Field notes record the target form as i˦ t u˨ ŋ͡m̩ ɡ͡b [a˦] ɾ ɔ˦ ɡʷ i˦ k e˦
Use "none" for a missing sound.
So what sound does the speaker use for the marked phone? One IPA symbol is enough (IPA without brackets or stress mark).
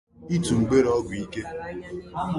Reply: e˦